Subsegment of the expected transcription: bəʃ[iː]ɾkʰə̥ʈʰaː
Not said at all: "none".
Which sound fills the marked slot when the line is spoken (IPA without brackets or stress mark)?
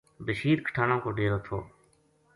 iː